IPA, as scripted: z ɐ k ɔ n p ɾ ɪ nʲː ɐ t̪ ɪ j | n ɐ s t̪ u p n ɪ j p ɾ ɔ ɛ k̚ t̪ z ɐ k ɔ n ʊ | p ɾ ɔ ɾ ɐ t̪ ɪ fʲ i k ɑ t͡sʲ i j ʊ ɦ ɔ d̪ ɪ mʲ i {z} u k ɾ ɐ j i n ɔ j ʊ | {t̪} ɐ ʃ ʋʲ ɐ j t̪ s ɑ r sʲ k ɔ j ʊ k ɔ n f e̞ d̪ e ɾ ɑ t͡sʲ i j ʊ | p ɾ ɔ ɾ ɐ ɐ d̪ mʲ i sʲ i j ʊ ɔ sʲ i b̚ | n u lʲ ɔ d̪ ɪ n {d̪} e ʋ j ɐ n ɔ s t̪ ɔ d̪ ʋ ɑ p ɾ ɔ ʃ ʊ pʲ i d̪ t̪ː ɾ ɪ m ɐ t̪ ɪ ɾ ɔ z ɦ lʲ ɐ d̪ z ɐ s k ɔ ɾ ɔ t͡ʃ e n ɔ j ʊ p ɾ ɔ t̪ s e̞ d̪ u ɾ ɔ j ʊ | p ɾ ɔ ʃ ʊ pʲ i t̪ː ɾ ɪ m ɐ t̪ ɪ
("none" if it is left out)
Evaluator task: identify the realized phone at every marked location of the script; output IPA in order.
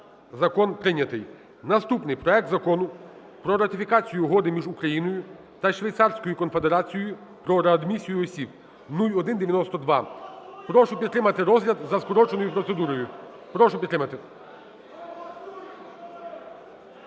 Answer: ʒ, t̪, d̪

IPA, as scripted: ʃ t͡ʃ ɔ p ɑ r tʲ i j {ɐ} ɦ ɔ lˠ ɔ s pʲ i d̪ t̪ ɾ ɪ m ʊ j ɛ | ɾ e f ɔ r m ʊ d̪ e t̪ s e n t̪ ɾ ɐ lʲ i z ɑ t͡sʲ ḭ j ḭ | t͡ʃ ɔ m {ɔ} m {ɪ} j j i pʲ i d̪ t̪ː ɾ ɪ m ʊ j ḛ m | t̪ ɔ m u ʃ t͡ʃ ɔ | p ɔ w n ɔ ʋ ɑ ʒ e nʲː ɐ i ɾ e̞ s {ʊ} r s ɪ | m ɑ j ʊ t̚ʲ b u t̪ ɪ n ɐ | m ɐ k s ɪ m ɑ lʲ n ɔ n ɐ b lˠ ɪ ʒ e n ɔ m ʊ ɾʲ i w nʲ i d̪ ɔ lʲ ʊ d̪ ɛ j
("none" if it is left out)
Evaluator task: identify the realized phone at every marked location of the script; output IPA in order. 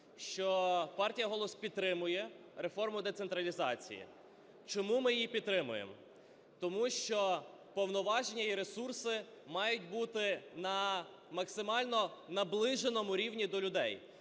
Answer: ɐ, u, ɪ, u

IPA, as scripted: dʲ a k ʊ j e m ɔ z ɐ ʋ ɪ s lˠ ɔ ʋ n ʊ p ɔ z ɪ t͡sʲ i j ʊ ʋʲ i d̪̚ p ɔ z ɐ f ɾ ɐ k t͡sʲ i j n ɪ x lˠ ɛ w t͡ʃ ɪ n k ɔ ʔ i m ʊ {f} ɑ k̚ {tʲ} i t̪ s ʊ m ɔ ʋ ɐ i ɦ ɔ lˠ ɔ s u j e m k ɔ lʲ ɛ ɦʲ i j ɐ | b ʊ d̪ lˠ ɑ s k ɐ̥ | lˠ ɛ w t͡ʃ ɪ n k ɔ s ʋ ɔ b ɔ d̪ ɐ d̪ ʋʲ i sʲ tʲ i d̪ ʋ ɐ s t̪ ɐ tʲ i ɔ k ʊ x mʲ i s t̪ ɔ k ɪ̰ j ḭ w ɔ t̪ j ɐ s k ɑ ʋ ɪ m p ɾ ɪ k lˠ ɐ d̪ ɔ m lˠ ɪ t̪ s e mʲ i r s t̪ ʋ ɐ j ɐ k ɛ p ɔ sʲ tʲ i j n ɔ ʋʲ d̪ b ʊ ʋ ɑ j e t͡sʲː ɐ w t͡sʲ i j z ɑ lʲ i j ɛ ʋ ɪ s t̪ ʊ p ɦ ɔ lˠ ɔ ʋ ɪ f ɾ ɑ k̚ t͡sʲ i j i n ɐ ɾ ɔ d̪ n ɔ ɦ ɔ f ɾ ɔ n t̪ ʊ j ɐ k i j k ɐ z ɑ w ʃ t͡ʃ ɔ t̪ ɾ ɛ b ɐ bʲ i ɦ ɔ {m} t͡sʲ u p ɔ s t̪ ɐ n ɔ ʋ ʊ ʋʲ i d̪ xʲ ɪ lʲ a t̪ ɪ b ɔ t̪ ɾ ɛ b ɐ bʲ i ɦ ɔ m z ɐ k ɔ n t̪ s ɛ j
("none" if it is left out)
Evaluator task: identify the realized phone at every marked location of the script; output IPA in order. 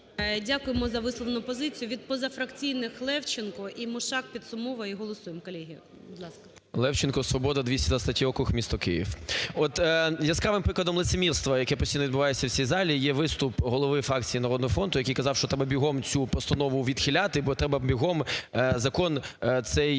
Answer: ʃ, pʲ, m

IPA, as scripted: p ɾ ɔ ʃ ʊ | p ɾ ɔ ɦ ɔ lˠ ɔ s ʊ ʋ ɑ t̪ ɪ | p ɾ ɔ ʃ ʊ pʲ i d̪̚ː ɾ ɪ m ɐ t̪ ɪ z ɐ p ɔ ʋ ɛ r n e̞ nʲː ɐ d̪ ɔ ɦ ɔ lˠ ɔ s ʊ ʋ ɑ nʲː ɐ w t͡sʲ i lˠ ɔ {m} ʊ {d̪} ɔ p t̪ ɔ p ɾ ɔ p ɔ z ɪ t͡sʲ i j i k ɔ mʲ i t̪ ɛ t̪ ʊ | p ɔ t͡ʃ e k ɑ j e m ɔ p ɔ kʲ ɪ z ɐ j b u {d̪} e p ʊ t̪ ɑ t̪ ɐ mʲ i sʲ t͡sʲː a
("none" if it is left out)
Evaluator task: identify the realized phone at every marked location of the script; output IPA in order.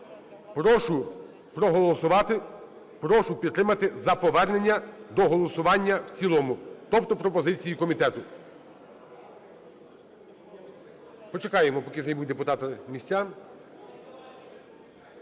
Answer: m, t̪, d̪

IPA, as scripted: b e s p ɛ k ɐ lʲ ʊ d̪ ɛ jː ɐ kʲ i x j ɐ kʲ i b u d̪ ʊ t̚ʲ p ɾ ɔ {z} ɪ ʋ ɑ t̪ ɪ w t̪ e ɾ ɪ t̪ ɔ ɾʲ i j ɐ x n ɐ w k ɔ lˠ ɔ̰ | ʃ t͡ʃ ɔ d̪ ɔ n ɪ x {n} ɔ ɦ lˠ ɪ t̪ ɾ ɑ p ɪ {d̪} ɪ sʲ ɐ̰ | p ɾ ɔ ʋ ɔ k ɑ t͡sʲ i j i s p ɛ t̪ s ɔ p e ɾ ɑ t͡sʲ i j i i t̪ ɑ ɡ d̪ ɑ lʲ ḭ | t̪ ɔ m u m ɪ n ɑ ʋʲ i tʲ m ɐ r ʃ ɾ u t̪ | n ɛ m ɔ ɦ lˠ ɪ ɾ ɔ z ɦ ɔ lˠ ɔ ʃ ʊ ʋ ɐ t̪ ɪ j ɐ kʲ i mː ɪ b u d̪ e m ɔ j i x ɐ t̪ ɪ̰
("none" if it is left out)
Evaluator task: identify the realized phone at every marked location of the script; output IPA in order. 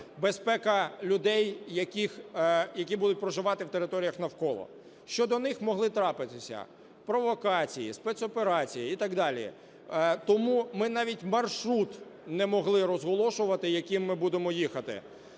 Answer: ʒ, m, t̪

